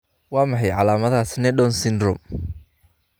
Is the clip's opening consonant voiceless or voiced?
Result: voiced